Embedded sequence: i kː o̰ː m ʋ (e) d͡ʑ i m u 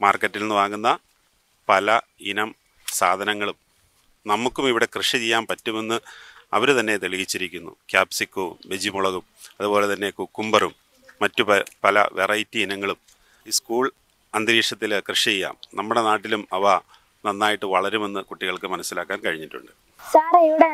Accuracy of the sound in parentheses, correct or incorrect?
correct